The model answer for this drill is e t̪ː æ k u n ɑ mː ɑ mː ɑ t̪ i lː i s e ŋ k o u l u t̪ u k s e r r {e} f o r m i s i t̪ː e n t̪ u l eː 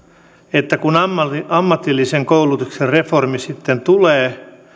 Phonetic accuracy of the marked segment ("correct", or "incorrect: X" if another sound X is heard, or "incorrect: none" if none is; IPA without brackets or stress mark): correct